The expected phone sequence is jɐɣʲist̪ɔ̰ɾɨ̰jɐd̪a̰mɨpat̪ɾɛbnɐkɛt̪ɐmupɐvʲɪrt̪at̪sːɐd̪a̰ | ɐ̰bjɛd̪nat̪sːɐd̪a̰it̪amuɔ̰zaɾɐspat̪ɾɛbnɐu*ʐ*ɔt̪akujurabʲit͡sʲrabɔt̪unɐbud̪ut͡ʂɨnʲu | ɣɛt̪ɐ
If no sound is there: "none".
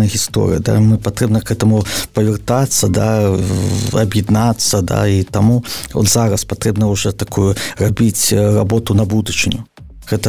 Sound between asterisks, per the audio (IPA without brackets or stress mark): ʐ